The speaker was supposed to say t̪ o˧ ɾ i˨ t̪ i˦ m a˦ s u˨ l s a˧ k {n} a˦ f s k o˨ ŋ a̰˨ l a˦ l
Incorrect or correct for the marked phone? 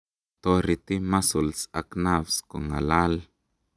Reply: correct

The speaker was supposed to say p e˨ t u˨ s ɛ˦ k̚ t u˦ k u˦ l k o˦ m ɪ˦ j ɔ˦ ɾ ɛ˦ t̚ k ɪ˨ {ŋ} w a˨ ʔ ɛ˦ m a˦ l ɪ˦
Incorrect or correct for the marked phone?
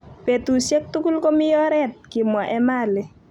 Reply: incorrect: m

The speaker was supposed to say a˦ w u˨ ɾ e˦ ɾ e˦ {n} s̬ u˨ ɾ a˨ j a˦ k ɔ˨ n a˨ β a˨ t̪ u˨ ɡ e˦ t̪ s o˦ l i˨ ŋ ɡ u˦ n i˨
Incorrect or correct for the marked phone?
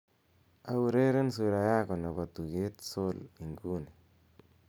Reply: correct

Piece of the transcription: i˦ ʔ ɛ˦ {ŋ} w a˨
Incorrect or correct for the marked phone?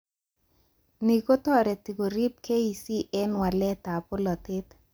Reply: incorrect: n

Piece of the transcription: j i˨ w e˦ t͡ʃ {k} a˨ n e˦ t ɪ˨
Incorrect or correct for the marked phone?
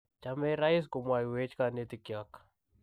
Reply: correct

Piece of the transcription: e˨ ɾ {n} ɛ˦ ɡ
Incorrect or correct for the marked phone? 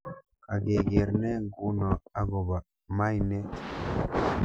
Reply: correct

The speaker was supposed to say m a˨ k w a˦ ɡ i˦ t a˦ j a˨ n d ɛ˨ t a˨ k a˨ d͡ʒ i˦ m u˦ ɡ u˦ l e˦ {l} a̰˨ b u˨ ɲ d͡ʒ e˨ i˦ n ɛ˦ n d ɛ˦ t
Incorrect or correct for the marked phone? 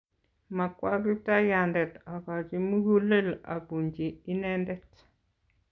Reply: correct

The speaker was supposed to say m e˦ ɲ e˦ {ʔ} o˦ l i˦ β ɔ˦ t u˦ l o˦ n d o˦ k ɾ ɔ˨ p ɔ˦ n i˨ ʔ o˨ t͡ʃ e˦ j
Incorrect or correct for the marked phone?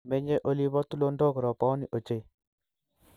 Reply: correct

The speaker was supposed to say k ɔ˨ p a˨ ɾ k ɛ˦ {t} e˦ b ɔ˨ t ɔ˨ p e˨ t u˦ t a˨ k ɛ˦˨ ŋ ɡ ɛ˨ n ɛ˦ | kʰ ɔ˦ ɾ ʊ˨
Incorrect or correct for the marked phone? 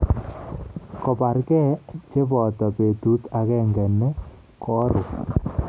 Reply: incorrect: t͡ʃ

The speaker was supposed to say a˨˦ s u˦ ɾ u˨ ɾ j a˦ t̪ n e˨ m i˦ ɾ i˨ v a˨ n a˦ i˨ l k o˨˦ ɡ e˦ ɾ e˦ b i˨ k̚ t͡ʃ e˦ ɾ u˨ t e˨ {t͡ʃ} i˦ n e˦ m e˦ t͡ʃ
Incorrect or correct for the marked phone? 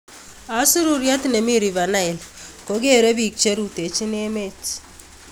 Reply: correct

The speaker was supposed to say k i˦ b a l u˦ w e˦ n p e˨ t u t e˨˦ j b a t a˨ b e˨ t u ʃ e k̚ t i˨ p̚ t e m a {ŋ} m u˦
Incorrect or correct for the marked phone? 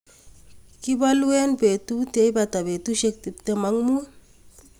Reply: correct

